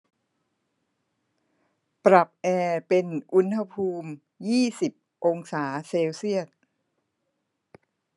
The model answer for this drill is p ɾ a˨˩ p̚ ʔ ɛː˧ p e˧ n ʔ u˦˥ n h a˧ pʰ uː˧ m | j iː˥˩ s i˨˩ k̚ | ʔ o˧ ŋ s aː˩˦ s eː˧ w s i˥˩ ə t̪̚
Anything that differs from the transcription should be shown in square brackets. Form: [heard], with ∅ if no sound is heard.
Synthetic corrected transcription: p ɾ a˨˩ p̚ ʔ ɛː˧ p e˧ n ʔ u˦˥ n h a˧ pʰ uː˧ m | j iː˥˩ s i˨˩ [p̚] | ʔ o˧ ŋ s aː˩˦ s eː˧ w s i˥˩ ə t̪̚